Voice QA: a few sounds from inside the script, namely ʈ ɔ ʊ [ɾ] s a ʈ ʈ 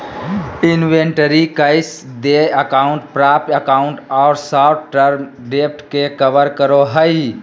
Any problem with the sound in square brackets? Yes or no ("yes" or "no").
no